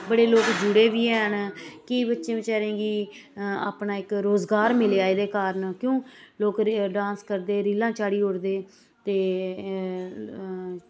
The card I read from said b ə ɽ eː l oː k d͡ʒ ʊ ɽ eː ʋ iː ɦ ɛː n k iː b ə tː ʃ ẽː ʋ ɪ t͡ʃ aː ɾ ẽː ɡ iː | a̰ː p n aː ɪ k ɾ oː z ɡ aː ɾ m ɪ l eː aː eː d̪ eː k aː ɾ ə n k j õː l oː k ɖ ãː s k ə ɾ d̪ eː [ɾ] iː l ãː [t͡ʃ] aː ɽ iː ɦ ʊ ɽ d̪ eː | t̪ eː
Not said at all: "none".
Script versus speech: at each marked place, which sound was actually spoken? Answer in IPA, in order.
ɾ, t͡ʃ

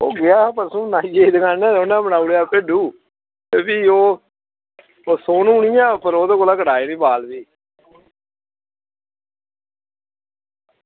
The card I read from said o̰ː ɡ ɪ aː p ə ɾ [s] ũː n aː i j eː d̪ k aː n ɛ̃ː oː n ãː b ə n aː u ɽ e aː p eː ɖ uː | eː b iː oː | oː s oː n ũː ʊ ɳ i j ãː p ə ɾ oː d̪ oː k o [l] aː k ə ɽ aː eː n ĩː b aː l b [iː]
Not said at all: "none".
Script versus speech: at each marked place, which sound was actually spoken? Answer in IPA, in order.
s, l, iː

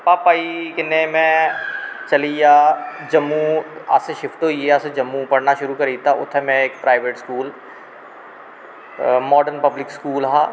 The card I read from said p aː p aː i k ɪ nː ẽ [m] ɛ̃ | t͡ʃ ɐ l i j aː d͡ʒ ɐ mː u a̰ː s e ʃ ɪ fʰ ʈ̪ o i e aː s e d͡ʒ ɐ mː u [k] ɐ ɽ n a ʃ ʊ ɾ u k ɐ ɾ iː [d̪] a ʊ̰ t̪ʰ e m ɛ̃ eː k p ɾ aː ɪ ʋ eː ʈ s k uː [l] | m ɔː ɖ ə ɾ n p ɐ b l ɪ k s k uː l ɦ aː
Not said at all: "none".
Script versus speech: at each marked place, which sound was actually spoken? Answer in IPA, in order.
m, p, t̪, l

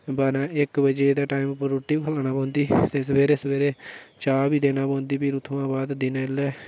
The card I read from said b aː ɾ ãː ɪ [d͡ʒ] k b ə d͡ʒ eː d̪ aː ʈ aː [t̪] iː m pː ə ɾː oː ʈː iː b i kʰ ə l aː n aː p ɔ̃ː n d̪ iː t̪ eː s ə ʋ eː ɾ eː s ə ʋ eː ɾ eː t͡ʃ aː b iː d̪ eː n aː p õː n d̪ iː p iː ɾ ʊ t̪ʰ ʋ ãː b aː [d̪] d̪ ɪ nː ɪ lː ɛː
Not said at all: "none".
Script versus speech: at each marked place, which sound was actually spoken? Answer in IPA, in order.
none, none, d̪

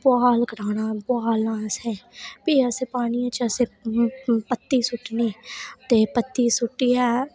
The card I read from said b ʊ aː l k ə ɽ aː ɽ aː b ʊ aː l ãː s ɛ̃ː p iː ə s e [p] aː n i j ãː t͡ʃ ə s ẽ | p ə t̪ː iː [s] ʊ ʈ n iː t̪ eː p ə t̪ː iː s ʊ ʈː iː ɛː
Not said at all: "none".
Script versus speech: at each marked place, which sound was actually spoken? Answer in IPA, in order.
p, s

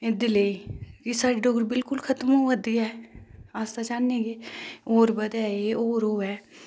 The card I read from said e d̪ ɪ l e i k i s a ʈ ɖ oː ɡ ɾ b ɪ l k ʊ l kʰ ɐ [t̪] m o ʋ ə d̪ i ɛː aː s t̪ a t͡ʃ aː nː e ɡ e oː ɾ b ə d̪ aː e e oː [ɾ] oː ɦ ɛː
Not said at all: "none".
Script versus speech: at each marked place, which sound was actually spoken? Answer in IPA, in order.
t̪, ɾ

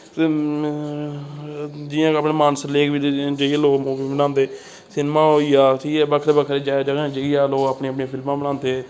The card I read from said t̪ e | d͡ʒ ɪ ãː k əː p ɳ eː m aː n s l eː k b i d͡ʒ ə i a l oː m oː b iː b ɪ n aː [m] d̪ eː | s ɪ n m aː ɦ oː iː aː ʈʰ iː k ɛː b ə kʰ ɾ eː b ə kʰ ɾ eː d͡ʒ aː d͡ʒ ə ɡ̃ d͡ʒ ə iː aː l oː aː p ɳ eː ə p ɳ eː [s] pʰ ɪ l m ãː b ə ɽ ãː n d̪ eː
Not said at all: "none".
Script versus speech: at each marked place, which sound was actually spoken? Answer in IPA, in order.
n, none

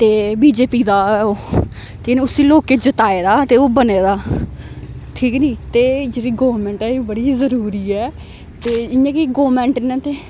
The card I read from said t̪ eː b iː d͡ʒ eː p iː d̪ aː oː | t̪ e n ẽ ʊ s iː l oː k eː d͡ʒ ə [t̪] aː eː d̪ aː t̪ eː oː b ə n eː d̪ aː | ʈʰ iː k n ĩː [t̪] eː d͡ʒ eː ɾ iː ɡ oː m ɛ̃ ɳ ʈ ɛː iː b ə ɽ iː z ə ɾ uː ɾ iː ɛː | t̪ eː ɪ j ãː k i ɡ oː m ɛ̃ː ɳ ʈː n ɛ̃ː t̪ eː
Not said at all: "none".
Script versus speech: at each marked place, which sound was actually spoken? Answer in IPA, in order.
t̪, t̪

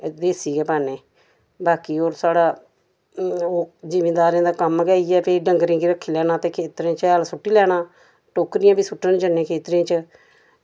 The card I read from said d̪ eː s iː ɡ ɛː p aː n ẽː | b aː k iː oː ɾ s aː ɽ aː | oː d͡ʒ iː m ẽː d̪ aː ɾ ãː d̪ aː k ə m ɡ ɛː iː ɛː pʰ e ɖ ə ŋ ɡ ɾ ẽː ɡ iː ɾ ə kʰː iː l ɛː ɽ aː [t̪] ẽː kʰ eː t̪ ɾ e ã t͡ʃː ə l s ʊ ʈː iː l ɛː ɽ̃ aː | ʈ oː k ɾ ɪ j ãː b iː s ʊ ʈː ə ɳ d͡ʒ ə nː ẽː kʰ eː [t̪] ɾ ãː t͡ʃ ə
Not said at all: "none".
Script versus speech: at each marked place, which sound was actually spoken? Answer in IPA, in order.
t̪, t̪

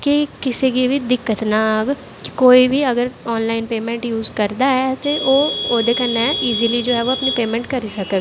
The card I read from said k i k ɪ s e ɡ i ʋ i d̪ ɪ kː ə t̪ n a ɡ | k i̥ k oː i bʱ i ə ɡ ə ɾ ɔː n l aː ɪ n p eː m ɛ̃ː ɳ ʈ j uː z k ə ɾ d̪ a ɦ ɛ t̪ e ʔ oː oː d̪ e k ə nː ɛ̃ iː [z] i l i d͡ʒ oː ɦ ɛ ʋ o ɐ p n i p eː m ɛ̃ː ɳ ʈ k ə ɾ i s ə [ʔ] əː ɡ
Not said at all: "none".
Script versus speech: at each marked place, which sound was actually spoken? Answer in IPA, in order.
z, k

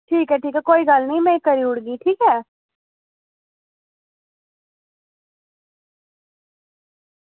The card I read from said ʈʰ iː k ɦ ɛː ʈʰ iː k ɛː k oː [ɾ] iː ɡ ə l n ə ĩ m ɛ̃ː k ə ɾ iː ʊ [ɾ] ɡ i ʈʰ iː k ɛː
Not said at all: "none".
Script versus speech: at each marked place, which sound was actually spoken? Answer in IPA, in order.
none, ɽ

